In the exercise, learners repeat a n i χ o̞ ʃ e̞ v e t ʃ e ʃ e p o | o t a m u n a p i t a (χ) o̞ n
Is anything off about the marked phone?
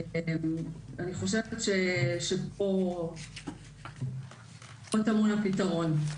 yes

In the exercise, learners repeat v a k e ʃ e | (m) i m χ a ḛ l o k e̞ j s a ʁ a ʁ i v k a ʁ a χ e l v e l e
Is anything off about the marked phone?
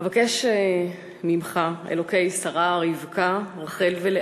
no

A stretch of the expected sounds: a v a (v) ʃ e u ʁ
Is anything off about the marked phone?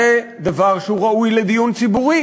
yes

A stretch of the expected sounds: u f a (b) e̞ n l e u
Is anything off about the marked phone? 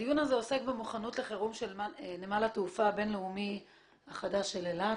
no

